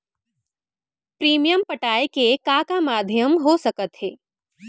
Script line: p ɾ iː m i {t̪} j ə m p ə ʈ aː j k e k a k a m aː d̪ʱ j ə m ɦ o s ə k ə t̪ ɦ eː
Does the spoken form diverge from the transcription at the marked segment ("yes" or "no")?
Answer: yes